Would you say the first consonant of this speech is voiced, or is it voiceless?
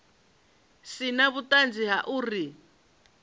voiceless